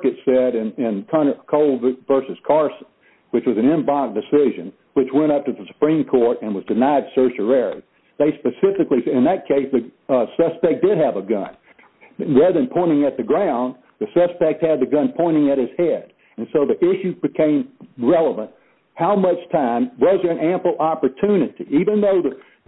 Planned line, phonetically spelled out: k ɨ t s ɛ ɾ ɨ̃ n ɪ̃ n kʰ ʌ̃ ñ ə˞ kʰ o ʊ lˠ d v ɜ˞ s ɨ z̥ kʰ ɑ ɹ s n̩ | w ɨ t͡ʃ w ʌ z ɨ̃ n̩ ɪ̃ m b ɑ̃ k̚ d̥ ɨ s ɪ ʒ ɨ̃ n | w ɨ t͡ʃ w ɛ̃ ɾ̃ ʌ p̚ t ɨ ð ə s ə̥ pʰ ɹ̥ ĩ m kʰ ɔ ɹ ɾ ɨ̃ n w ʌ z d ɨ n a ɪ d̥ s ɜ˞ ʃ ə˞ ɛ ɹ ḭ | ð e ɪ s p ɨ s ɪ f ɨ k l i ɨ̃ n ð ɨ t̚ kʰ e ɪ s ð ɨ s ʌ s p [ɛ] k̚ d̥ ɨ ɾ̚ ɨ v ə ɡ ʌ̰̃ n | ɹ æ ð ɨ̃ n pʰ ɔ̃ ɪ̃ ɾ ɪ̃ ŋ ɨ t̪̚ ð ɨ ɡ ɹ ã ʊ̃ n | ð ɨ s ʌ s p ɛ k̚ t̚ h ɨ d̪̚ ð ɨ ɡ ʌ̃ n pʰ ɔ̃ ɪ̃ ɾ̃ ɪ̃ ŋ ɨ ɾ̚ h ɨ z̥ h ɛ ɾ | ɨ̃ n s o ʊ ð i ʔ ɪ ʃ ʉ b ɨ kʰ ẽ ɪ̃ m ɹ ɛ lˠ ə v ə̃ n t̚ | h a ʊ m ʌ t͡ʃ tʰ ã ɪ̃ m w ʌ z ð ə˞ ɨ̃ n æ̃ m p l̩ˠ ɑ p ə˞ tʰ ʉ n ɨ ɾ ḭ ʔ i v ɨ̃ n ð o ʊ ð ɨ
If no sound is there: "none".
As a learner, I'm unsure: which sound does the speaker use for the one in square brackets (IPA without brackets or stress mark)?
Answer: ɛ